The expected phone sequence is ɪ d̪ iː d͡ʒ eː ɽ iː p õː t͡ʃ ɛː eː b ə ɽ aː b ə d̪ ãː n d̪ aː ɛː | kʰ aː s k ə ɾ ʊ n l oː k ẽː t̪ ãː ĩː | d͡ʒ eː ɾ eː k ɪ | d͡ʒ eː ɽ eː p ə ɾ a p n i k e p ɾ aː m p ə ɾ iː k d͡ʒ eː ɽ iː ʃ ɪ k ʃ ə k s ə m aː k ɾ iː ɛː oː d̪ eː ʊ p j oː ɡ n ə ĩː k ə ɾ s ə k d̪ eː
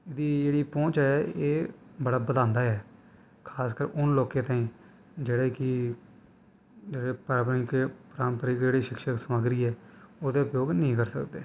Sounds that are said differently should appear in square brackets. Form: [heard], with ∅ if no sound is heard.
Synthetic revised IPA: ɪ d̪ iː d͡ʒ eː ɽ iː p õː t͡ʃ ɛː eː b ə ɽ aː b ə d̪ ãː n d̪ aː ɛː | kʰ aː s k ə ɾ ʊ n l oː k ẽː t̪ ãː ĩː | d͡ʒ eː [ɽ] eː k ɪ | d͡ʒ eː ɽ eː p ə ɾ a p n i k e p ɾ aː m p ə ɾ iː k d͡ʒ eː ɽ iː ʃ ɪ k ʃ ə k s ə m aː [ɡ] ɾ iː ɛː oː d̪ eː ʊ p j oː ɡ n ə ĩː k ə ɾ s ə k d̪ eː